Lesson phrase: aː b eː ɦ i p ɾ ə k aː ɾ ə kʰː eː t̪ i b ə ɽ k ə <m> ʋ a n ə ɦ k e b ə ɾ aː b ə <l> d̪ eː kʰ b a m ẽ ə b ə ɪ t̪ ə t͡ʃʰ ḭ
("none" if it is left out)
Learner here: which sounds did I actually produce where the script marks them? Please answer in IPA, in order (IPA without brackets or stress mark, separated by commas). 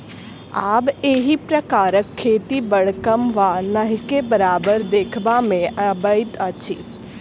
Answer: m, ɾ